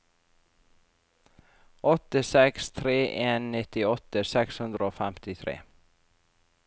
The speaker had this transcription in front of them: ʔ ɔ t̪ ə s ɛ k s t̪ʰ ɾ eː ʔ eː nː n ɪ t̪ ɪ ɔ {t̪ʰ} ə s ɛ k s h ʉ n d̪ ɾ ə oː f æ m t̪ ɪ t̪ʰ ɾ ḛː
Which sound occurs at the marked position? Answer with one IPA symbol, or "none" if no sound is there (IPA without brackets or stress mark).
t̪